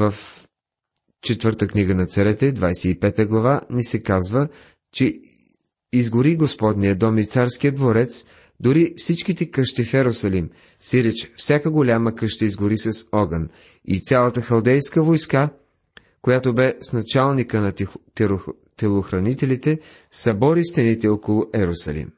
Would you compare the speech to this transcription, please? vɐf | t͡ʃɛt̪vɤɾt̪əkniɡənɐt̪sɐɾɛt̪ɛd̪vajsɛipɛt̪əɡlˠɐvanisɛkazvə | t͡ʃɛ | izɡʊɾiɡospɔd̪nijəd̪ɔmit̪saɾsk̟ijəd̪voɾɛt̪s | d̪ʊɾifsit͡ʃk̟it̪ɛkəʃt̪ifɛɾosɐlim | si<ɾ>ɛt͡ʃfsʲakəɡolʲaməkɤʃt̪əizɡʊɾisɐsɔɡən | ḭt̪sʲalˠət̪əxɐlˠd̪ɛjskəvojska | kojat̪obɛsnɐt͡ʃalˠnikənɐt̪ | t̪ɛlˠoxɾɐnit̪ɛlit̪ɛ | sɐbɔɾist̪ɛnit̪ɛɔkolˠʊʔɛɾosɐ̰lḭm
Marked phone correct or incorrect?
correct